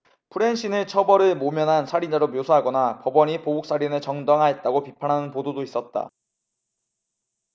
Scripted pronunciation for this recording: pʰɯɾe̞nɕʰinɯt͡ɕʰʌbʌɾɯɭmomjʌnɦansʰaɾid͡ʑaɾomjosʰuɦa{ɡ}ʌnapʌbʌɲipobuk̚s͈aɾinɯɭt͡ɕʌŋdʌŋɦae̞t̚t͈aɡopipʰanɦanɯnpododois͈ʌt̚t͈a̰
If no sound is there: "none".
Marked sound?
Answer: ɡ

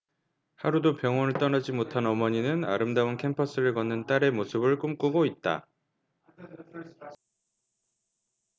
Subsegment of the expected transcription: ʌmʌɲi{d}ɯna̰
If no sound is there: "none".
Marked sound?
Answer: n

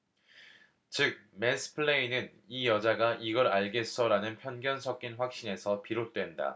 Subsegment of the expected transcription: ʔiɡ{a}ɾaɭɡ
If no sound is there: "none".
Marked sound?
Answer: ʌ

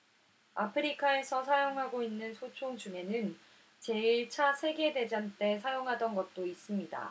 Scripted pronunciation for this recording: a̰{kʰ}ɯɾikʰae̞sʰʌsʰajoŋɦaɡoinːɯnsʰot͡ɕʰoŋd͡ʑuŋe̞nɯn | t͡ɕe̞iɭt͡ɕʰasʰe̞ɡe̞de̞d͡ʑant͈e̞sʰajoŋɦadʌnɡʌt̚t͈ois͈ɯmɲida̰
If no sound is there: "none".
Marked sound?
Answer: pʰ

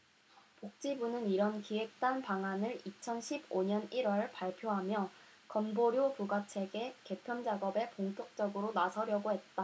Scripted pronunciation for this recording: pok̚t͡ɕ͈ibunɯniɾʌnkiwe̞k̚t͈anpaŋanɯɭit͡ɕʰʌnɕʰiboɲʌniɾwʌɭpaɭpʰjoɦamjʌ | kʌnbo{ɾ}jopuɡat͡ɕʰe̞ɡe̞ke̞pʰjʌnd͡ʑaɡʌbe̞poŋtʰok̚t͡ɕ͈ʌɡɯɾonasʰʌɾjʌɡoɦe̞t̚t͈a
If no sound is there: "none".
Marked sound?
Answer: ɾ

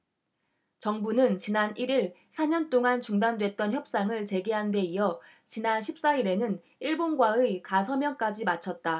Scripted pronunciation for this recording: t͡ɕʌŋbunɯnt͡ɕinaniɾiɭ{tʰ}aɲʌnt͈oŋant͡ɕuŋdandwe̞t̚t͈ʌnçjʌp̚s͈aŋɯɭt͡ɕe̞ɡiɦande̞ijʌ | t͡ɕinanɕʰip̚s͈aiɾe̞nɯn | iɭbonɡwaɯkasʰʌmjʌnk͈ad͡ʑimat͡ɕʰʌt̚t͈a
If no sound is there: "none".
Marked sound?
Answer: sʰ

